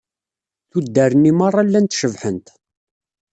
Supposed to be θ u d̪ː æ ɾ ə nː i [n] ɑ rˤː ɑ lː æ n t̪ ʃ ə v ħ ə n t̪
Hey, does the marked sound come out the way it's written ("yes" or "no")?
no